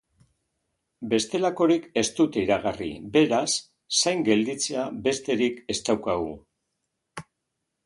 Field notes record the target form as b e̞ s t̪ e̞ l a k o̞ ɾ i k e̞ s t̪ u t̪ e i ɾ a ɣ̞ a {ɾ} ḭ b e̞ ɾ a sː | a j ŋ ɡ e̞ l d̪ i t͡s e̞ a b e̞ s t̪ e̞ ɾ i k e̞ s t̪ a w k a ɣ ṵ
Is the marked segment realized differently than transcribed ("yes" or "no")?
yes